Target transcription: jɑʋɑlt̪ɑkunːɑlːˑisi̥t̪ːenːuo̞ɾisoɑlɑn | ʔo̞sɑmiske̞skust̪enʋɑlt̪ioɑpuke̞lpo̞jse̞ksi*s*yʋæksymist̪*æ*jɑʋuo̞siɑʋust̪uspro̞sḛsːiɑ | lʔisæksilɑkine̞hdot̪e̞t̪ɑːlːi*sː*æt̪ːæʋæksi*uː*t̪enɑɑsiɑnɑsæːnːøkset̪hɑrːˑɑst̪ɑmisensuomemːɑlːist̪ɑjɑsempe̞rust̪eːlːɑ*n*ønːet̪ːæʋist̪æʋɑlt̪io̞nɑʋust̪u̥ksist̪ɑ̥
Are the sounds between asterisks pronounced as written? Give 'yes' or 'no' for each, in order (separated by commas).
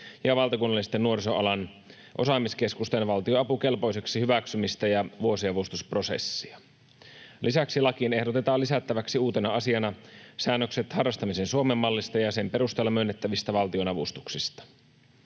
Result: no, yes, no, yes, no